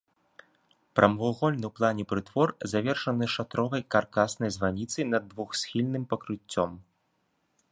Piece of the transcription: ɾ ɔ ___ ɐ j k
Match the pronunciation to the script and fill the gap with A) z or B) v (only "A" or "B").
B